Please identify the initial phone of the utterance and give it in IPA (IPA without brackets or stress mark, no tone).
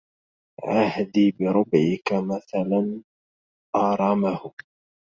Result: ʕ